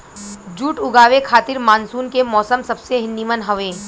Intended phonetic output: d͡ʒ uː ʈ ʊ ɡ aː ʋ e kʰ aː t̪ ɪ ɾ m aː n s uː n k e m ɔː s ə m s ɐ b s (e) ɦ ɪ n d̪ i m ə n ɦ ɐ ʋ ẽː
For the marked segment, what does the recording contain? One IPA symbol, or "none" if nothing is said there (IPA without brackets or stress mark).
e